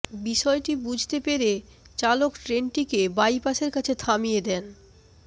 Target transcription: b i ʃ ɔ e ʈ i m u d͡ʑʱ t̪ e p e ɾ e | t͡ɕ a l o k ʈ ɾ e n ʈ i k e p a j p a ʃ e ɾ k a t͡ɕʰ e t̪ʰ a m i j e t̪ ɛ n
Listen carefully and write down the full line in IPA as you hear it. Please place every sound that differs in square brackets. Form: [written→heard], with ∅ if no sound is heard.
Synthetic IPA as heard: b i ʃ ɔ e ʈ i [m→b] u d͡ʑʱ t̪ e p e ɾ e | t͡ɕ a l o k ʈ ɾ e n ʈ i k e [p→b] a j p a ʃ e ɾ k a t͡ɕʰ e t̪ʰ a m i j e [t̪→d̪] ɛ n